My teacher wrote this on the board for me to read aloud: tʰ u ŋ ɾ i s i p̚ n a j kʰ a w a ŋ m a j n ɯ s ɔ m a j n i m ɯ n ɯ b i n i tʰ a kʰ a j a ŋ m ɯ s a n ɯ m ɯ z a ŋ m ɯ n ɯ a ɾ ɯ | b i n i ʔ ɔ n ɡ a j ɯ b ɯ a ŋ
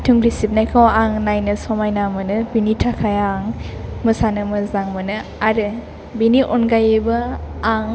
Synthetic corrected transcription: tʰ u ŋ ɾ i s i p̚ n a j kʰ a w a ŋ n a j n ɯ s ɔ m a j n a m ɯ n ɯ b i n i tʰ a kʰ a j a ŋ m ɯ s a n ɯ m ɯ z a ŋ m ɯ n ɯ a ɾ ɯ | b i n i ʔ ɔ n ɡ a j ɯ b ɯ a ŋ